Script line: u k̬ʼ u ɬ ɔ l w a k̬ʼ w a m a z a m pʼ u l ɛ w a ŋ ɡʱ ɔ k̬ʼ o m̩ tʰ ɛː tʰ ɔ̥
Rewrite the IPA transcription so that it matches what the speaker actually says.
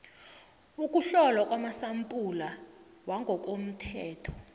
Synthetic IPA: u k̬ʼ u ɬ ɔ l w a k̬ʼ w a m a s a m pʼ u l a w a ŋ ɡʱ ɔ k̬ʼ o m̩ tʰ ɛː tʰ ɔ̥